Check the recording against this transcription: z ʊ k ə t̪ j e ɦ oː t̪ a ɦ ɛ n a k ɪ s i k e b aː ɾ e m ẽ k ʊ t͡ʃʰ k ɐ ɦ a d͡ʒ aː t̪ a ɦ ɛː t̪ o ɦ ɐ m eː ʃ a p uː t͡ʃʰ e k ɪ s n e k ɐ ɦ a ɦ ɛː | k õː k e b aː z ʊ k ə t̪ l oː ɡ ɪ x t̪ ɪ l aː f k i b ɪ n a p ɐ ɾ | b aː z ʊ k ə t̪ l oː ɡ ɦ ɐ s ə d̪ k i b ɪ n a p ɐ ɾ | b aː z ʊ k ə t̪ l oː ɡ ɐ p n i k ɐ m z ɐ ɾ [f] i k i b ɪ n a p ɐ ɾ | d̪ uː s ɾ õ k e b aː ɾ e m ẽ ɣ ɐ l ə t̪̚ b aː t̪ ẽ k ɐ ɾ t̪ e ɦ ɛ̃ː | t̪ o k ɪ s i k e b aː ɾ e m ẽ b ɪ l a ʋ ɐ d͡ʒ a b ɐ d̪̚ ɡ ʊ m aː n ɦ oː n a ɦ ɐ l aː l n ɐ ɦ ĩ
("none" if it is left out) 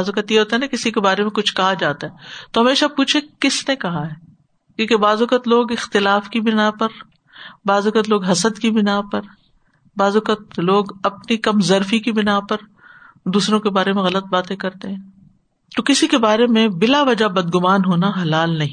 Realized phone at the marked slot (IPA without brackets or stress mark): f